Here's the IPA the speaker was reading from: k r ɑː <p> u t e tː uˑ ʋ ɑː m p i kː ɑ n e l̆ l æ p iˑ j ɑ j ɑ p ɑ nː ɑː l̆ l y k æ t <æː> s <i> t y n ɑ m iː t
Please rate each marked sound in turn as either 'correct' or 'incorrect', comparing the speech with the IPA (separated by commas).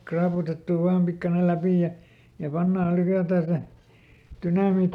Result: correct, correct, incorrect